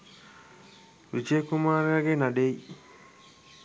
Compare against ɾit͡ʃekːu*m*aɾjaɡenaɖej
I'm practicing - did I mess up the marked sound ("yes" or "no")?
no